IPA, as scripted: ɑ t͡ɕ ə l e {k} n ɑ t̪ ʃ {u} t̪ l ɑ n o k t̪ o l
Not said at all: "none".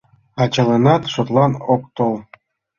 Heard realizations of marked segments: none, o

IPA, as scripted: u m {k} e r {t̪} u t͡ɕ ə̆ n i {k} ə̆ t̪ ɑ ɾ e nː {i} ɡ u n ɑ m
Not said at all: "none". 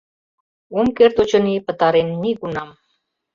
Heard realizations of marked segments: k, t̪, p, i

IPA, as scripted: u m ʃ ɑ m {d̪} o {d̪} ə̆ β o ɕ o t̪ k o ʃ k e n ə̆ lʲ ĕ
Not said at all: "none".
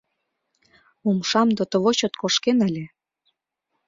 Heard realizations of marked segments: d̪, t̪

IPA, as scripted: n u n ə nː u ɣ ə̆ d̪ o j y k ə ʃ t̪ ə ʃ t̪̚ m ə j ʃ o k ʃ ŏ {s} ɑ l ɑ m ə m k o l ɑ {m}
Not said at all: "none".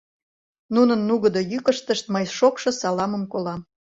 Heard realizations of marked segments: s, m

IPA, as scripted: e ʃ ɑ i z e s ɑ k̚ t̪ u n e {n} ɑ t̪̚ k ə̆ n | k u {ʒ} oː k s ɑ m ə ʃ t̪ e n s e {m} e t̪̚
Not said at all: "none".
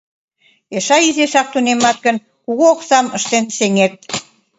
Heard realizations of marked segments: m, ɣ, ŋ

